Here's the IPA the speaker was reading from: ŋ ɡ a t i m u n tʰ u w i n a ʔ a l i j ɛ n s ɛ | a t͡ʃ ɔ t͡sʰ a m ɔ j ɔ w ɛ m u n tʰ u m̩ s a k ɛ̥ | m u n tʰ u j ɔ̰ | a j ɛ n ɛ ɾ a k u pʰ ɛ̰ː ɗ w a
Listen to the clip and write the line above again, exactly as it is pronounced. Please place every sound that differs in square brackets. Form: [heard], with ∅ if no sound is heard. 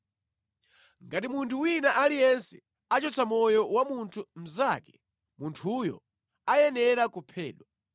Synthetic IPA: ŋ ɡ a t i m u n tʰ u w i n a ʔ a l i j ɛ n s ɛ | a t͡ʃ ɔ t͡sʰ a m ɔ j ɔ w [a] m u n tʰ u m̩ [z] a k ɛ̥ | m u n tʰ u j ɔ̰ | a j ɛ n ɛ ɾ a k u pʰ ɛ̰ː ɗ w a

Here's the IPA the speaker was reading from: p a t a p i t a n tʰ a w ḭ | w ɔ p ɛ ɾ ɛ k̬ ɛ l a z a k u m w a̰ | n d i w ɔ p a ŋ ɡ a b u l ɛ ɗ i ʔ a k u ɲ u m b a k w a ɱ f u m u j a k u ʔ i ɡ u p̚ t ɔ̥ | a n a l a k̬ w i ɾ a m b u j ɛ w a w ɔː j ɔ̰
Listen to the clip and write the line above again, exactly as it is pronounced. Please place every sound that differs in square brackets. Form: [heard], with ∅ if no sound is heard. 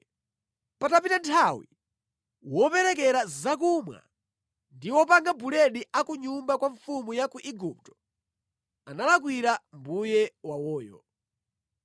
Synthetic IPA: p a t a p i t a n tʰ a w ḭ | w ɔ p ɛ ɾ ɛ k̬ ɛ [ɾ] a z a k u m w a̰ | n d i w ɔ p a ŋ ɡ a b u l ɛ ɗ i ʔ a k u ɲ u m b a k w a ɱ f u m u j a k u ʔ i ɡ u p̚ t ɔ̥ | a n a l a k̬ w i ɾ a m b u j ɛ w a w ɔː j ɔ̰

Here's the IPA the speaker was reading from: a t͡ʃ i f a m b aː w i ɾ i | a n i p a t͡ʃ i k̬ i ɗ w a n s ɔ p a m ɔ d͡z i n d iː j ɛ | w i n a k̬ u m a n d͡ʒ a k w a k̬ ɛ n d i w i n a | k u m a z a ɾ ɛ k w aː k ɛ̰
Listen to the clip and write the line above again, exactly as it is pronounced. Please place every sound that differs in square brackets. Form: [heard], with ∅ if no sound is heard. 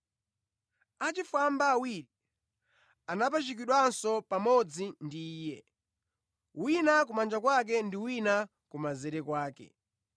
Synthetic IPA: a t͡ʃ i f a m b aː w i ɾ i | a n [a] p a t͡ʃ i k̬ i ɗ w a n s ɔ p a m ɔ d͡z i n d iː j ɛ | w i n a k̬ u m a n d͡ʒ a k w a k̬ ɛ n d i w i n a | k u m a z [ɛ] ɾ ɛ k w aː k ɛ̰

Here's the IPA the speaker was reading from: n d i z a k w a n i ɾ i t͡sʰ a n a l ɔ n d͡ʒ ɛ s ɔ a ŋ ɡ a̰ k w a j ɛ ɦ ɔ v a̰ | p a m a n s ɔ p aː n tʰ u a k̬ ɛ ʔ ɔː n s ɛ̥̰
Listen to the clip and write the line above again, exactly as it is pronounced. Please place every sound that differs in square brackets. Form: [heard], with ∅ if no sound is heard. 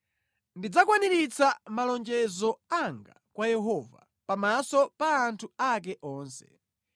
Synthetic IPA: n d i [d͡z] a k w a n i ɾ i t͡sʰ a [m] a l ɔ n d͡ʒ ɛ [z] ɔ a ŋ ɡ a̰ k w a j ɛ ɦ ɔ v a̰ | p a m a [∅] s ɔ p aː n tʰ u a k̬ ɛ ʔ ɔː n s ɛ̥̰

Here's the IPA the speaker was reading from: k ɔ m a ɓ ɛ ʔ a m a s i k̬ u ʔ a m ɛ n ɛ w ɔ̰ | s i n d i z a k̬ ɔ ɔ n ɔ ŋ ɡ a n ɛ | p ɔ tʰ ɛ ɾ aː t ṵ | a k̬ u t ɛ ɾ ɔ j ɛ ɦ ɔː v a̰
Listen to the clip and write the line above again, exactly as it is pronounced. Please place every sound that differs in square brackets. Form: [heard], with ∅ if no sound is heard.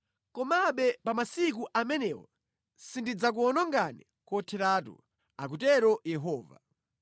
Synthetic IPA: k ɔ m a ɓ ɛ [p] a m a s i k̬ u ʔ a m ɛ n ɛ w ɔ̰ | s i n d i [d͡z] a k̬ [u] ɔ n ɔ ŋ ɡ a n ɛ | [k] ɔ tʰ ɛ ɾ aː t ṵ | a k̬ u t ɛ ɾ ɔ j ɛ ɦ ɔː v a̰

